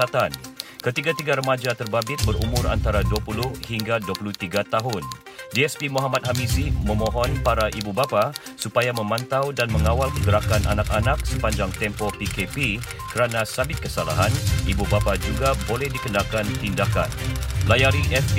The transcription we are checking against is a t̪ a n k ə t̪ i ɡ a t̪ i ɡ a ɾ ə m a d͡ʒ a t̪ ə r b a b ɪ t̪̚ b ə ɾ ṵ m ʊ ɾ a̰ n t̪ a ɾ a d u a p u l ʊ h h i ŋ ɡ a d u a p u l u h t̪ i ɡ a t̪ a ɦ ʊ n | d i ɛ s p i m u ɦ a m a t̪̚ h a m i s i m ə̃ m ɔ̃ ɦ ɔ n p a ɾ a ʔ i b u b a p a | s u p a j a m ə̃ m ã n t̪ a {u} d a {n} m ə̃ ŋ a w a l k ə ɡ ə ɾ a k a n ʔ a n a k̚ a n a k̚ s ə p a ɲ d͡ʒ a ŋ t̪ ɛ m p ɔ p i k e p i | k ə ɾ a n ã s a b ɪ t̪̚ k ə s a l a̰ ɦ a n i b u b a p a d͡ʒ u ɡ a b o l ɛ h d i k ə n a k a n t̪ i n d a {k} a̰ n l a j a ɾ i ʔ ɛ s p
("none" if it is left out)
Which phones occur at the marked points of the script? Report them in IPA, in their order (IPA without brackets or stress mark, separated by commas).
w, n, k